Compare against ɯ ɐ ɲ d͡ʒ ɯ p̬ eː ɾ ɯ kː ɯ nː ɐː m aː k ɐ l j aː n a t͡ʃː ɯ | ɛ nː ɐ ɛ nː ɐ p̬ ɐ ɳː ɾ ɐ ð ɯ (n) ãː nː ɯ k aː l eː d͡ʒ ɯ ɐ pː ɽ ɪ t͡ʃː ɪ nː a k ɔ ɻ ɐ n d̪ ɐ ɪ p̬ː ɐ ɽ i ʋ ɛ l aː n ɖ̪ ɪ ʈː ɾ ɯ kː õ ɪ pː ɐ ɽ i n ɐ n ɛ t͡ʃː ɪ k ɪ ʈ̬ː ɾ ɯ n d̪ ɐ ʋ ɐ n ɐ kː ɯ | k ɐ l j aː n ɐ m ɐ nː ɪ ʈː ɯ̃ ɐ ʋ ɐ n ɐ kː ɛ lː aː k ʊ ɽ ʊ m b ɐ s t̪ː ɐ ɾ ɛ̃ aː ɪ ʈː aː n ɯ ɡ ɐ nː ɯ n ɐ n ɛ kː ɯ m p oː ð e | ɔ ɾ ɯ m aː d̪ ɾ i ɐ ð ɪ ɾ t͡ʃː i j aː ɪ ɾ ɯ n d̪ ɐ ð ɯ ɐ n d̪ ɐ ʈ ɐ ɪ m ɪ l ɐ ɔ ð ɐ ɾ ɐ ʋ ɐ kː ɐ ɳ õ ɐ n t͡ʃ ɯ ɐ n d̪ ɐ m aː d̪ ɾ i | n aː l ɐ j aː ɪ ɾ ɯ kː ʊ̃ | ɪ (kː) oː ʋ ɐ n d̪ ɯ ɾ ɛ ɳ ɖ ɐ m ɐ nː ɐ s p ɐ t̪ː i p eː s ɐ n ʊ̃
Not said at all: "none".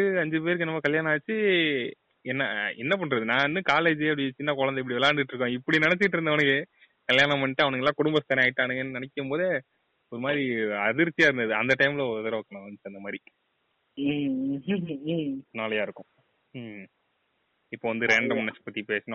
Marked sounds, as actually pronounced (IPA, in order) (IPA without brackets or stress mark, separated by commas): n, pː